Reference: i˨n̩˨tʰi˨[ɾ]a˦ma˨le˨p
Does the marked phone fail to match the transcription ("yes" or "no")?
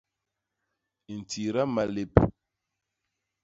no